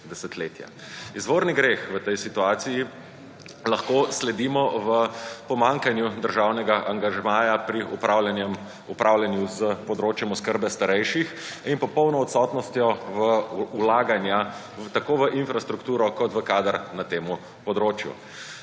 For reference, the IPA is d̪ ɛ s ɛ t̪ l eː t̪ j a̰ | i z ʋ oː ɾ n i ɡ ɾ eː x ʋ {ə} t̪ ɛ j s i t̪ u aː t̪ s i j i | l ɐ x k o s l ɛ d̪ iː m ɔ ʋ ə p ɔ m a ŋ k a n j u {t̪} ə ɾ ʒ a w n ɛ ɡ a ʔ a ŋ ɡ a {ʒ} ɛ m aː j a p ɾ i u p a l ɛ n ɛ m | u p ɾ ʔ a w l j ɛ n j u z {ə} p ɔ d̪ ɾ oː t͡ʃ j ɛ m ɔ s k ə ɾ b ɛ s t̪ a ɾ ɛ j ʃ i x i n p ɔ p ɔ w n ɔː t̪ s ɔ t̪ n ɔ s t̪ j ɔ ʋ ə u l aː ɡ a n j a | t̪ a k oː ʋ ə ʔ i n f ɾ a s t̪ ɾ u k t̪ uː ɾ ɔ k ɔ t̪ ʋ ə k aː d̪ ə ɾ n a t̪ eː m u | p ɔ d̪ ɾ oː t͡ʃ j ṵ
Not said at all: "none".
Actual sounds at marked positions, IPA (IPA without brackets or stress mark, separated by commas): ə, d̪, ʒ, ə